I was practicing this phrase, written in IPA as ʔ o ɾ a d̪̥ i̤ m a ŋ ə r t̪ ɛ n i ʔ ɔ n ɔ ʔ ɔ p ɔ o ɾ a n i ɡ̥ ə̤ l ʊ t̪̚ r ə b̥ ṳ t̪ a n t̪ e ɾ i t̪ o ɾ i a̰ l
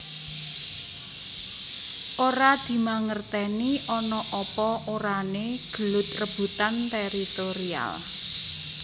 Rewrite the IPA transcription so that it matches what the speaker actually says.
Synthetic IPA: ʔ o ɾ a d̪̥ i̤ m a ŋ ə r t̪ ɛ n i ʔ ɔ n ɔ ʔ ɔ p ɔ o ɾ a n e ɡ̥ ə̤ l ʊ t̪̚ r ə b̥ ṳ t̪ a n t̪ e ɾ i t̪ o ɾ i a̰ l